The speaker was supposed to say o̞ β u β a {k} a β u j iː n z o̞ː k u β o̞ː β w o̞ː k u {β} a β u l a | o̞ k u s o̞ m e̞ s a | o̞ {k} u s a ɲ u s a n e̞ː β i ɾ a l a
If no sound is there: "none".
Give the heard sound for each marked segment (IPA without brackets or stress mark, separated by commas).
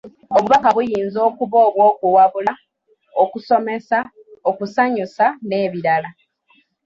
k, w, k